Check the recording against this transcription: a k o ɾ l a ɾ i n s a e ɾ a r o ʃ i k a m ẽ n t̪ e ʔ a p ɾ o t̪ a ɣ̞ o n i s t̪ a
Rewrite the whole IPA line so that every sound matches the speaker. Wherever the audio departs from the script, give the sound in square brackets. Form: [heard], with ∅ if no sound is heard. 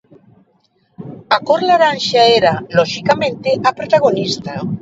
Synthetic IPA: a k o ɾ l a ɾ [a] n [ʃ] a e ɾ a [l] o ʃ i k a m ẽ n t̪ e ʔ a p ɾ o t̪ a ɣ̞ o n i s t̪ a